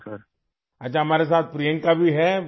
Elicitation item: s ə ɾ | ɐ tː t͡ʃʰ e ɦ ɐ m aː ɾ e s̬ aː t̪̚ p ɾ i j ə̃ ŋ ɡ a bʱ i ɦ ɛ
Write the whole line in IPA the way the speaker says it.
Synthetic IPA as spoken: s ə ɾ | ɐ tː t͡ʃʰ a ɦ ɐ m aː ɾ e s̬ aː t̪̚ p ɾ i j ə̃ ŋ k a bʱ i ɦ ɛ